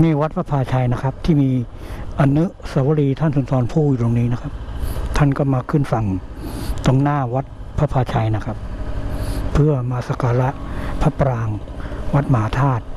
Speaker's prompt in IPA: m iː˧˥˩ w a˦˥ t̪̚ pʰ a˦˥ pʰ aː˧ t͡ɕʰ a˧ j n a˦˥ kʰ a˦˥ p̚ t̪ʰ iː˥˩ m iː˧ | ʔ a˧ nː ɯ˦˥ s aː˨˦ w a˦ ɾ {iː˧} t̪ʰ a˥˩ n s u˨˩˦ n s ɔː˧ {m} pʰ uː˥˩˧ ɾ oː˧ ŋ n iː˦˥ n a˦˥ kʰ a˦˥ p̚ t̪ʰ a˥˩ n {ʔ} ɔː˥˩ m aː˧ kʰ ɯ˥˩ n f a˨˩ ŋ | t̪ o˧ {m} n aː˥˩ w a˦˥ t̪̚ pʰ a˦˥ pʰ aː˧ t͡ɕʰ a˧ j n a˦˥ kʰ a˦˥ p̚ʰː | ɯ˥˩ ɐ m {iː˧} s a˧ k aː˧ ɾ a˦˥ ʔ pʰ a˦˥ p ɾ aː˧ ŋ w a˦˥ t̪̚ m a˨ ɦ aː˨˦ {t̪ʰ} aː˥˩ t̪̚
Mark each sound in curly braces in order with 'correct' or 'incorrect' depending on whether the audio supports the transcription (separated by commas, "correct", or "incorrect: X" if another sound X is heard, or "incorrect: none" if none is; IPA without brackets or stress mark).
correct, incorrect: n, incorrect: k, incorrect: ŋ, incorrect: aː˧, correct